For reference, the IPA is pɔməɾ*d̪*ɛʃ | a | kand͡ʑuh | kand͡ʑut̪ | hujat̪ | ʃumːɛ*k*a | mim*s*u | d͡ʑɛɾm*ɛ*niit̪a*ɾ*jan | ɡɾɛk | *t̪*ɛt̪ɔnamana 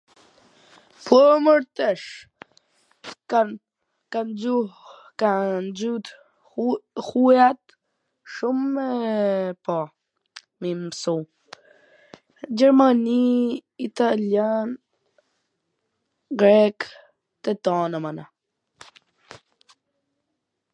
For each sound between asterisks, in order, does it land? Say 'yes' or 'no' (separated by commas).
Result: no, no, yes, no, no, yes